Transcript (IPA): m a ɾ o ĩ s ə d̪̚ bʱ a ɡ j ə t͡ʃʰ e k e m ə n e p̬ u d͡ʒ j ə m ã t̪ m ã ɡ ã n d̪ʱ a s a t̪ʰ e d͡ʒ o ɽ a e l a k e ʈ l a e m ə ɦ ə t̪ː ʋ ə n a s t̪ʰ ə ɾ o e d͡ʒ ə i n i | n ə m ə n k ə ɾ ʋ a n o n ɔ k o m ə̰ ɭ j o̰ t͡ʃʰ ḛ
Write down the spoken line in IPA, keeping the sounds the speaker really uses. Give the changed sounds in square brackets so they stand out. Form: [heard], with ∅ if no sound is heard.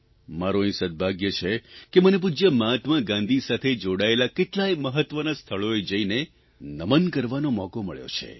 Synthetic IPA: m a ɾ o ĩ s ə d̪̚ bʱ a ɡ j ə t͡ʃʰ e k e m ə n e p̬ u d͡ʒ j ə m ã t̪ m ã ɡ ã n d̪ʱ [i] s a t̪ʰ e d͡ʒ o ɽ a e l a k e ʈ l a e m ə ɦ ə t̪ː ʋ ə n a s t̪ʰ ə [ɭ] o e d͡ʒ ə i n [e] | n ə m ə n k ə ɾ ʋ a n o [m] ɔ k o m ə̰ ɭ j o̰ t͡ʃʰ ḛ

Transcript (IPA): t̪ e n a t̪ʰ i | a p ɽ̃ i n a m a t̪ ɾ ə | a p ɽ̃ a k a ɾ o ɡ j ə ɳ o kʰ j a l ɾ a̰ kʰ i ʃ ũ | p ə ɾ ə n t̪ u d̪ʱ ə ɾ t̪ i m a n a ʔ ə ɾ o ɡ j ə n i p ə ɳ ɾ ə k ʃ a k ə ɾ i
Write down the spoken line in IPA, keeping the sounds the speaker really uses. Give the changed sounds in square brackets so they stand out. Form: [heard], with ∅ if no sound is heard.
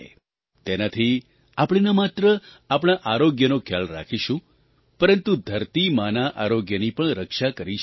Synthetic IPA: t̪ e n a t̪ʰ i | a p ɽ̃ i n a m a t̪ ɾ ə | a p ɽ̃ a [ʔ] a ɾ o ɡ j ə [n] o kʰ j a l ɾ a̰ kʰ i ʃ ũ | p ə ɾ ə n t̪ u d̪ʱ ə ɾ t̪ i m a n a ʔ [a] ɾ o ɡ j ə n i p ə ɳ ɾ ə k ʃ a k ə ɾ i

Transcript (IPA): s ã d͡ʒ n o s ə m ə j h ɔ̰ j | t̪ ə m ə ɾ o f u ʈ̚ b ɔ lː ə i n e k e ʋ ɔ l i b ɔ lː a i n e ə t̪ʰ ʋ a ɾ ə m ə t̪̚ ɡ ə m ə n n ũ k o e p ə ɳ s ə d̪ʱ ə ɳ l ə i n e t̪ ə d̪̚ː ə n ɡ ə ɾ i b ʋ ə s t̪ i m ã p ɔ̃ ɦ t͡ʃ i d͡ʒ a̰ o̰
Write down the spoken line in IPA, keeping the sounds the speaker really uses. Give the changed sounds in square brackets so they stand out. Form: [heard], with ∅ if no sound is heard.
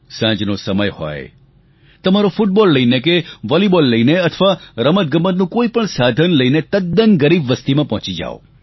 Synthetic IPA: s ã d͡ʒ n o s ə m ə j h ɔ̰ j | t̪ ə m [a] ɾ o f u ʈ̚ b ɔ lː ə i n e k e ʋ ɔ l i b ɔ lː [ə] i n e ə t̪ʰ ʋ a ɾ ə m ə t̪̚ ɡ ə m ə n n ũ k o [i] p ə ɳ s [a] d̪ʱ ə [n] l ə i n e t̪ ə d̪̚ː ə n ɡ ə ɾ i b ʋ ə s t̪ i m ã p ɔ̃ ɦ t͡ʃ i d͡ʒ a̰ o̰

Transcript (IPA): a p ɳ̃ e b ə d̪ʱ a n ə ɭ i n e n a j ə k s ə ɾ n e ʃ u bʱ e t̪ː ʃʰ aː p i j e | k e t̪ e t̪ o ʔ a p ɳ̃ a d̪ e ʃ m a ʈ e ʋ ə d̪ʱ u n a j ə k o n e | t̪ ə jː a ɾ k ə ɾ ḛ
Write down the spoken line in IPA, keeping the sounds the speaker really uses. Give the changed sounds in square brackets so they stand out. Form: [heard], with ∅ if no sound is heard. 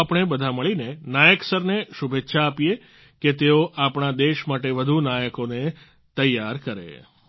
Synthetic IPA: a p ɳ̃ e b ə d̪ʱ a [m] ə ɭ i n e n a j ə k s ə ɾ n e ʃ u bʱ e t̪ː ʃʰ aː p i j e | k e t̪ e [∅] o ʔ a p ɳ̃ a d̪ e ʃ m a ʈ e ʋ ə d̪ʱ u n a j ə k o n e | t̪ ə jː a ɾ k ə ɾ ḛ

